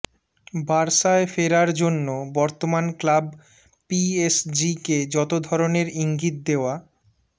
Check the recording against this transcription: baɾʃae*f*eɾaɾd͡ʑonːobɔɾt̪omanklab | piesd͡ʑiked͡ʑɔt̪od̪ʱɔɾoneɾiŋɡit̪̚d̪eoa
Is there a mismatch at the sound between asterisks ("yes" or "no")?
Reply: no